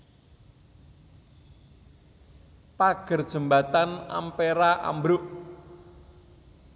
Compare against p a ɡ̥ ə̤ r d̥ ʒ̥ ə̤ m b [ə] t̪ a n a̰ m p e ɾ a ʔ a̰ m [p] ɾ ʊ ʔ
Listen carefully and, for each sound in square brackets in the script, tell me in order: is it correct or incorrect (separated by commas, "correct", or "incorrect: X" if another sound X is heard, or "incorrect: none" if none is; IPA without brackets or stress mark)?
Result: incorrect: a, incorrect: b